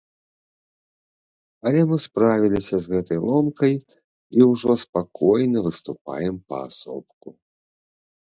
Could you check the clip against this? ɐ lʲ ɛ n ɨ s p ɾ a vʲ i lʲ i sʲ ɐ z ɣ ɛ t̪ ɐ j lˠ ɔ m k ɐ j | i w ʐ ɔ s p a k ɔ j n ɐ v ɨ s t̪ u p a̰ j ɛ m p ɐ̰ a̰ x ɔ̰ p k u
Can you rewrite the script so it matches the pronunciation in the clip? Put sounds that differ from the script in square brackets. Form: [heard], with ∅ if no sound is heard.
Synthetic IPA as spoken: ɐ lʲ ɛ [m] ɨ s p ɾ a vʲ i lʲ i sʲ ɐ z ɣ ɛ t̪ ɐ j lˠ ɔ m k ɐ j | i w ʐ ɔ s p a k ɔ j n ɐ v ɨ s t̪ u p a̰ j ɛ m p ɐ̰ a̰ [s] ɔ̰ p k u